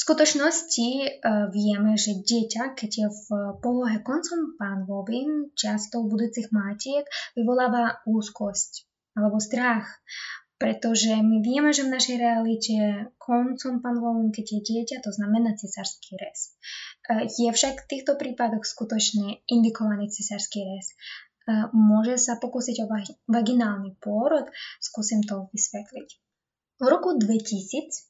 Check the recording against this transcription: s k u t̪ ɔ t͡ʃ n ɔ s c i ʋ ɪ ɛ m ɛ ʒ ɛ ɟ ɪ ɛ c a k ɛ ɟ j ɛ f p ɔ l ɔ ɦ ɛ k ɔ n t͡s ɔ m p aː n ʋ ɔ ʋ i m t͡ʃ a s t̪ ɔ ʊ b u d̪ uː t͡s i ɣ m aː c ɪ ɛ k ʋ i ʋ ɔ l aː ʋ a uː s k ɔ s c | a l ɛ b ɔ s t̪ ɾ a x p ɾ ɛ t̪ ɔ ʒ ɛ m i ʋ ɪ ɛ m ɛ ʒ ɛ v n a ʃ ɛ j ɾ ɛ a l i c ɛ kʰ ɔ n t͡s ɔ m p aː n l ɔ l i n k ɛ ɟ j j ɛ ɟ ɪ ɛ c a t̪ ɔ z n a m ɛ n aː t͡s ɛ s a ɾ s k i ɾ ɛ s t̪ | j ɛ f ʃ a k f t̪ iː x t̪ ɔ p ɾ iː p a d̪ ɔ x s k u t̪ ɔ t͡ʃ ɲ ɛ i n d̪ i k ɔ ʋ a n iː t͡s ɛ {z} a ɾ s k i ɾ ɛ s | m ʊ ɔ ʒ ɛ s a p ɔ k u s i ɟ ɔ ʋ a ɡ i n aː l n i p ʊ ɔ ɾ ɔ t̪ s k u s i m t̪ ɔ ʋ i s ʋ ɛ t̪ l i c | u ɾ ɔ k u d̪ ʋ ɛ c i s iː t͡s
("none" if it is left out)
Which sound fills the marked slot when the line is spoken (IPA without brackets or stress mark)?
s